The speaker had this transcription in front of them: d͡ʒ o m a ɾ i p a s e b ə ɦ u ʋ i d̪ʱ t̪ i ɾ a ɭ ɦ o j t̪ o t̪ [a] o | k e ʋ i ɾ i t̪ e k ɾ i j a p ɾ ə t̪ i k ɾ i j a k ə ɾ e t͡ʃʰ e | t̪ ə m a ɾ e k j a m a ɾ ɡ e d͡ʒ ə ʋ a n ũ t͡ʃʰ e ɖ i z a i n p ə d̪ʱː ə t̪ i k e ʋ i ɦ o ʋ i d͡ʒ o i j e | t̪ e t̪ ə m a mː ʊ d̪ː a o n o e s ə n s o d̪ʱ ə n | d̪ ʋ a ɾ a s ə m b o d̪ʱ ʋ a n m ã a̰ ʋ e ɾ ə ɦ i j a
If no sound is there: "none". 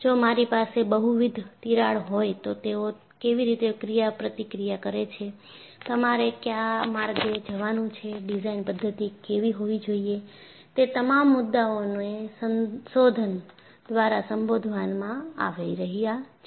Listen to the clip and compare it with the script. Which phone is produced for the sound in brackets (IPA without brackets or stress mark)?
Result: e